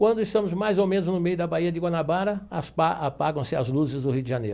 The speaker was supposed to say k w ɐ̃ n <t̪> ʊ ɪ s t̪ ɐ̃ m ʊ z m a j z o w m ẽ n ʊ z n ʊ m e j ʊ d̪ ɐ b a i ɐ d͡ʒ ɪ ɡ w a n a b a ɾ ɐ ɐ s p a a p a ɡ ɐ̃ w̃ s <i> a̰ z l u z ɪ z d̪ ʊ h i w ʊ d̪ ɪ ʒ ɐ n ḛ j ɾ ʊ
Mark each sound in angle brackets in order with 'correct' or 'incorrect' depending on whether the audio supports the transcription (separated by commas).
incorrect, incorrect